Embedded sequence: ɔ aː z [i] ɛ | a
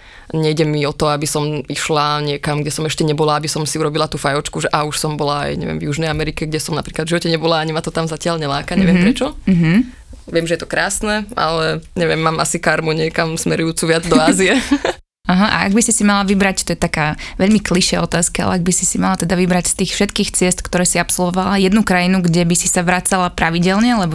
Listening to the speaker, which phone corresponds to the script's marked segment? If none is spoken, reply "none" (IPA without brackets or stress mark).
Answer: i